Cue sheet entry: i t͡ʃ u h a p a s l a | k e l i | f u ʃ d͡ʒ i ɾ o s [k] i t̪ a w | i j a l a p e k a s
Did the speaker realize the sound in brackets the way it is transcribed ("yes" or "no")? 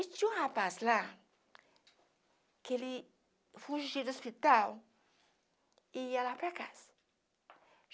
no